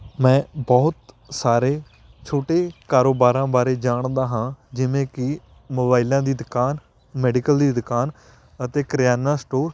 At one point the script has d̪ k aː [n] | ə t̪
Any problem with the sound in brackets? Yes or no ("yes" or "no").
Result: no